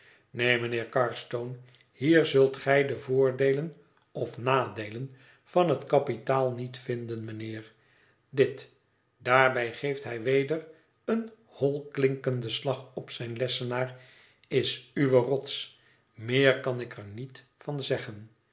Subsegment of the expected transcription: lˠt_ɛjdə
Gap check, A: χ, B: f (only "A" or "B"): A